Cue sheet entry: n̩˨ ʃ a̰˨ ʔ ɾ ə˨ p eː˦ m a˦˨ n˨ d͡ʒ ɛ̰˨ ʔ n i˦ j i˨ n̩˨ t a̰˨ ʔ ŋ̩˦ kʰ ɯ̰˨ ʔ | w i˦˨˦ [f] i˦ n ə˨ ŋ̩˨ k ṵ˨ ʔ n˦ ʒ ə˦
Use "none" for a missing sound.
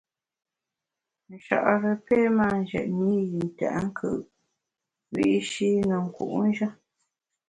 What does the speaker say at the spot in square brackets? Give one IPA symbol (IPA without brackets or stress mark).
ʃ